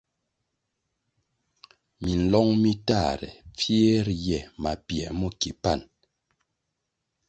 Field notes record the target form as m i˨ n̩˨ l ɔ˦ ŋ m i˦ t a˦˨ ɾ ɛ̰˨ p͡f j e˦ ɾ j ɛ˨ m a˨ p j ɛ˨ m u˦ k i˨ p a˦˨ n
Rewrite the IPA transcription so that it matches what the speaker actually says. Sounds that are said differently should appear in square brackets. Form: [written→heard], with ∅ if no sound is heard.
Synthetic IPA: m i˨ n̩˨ l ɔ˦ ŋ m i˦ t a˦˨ ɾ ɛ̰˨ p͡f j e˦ ɾ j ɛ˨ m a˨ p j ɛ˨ m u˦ k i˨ p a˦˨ n